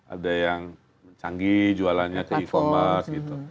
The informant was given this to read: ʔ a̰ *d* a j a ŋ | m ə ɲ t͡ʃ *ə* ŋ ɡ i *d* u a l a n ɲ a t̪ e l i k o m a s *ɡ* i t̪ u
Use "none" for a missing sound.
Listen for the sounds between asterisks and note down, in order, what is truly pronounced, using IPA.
d, a, d͡ʒ, ɡ

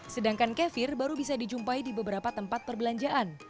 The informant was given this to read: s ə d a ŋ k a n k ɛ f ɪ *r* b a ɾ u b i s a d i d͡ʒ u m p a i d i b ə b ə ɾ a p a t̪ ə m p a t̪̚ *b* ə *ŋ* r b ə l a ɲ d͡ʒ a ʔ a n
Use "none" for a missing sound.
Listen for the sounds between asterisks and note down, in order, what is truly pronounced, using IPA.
r, p, none

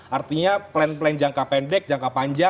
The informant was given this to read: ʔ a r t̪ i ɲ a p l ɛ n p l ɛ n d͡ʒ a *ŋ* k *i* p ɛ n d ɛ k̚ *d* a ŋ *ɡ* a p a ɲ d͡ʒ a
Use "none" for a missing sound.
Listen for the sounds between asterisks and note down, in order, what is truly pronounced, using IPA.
ŋ, a, d͡ʒ, k

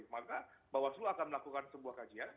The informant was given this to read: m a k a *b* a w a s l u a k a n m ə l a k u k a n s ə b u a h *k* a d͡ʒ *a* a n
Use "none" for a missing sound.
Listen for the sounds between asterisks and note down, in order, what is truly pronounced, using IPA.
b, k, i

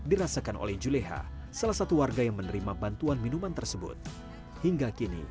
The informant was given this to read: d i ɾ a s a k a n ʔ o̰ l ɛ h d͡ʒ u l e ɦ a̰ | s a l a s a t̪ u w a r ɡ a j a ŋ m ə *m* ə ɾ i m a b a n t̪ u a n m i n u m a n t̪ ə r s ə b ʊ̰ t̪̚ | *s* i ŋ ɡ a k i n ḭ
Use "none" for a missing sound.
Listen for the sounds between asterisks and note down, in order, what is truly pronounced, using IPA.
n, h

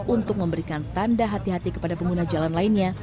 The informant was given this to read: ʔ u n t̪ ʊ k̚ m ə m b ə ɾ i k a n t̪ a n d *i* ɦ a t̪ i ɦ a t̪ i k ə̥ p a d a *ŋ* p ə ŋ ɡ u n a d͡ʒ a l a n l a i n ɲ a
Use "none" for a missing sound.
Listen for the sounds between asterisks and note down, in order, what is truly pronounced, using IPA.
a, none

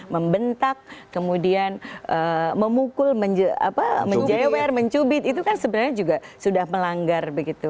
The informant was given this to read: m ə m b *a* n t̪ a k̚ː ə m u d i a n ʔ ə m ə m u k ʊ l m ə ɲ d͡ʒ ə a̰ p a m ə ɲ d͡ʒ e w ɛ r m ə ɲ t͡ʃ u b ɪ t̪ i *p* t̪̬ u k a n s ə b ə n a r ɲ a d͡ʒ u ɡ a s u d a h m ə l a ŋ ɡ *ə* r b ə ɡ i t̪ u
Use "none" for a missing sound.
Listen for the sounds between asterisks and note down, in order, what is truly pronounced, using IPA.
ə, none, a

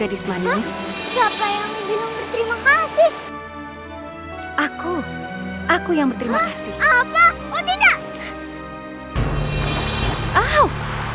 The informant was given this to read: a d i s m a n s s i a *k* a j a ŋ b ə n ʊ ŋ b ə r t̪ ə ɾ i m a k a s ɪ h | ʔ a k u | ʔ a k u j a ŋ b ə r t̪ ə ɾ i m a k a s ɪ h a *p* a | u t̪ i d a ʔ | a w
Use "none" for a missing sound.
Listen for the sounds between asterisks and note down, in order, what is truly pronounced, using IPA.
p, p

